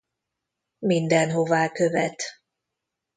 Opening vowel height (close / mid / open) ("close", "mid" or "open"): close